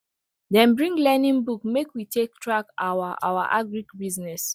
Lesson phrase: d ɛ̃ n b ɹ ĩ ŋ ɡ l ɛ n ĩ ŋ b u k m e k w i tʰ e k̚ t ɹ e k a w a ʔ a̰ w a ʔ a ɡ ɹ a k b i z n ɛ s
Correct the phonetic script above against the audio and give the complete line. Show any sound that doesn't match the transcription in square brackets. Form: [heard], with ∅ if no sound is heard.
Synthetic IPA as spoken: d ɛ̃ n b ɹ ĩ ŋ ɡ l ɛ n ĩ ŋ b u k m e k w i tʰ e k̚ t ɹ [a] k a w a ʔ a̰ w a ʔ a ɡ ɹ [i] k b i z n ɛ s